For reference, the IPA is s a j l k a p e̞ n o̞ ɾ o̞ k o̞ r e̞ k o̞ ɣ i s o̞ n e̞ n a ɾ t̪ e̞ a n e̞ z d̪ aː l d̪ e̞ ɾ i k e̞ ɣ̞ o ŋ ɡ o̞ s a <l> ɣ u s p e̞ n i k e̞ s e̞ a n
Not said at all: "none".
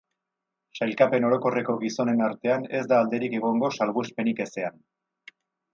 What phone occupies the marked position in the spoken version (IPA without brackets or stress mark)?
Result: l